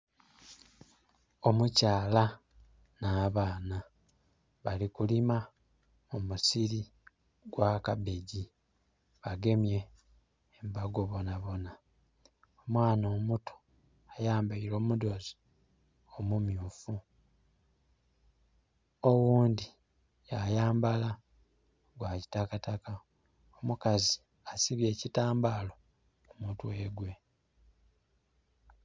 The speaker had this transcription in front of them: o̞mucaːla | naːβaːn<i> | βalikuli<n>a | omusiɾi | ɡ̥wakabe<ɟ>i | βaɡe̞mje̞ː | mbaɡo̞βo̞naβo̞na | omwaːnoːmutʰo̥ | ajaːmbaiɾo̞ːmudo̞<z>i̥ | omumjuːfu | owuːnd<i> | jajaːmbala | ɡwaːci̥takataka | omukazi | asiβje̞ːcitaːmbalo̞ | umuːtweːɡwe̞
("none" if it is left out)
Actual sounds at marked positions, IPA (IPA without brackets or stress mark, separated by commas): a, m, ɟ, z, i